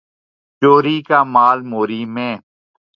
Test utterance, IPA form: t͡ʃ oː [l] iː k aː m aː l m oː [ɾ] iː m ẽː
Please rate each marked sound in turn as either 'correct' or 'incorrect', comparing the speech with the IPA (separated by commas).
incorrect, correct